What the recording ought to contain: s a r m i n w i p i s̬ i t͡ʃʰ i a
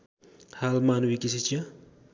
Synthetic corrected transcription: h a l m a n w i k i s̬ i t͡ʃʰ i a